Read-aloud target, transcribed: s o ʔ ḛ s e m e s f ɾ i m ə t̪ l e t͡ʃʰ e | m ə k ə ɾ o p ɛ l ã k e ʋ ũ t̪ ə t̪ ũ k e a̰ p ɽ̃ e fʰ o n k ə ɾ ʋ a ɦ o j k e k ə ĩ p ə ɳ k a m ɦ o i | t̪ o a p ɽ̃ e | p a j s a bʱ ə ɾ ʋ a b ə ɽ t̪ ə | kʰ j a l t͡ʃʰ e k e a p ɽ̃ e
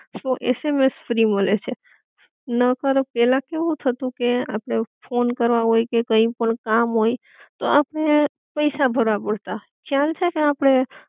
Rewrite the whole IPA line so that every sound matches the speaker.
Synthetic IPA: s o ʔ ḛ s e m e s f ɾ i m ə l e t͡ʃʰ e | n ə k ə ɾ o p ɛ l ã k e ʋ ũ t̪ʰ ə t̪ ũ k e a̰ p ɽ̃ e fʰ o n k ə ɾ ʋ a ɦ o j k e k ə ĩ p ə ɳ k a m ɦ o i | t̪ o a p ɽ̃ e | p ə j s a bʱ ə ɾ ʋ a b ə ɽ t̪ a | kʰ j a l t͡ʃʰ e k e a p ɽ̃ e